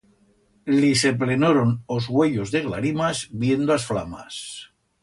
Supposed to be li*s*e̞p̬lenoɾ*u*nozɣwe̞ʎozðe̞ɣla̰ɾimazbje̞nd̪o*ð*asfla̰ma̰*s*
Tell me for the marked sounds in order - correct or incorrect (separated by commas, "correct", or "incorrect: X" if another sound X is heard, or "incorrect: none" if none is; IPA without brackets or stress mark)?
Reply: correct, incorrect: o, incorrect: none, correct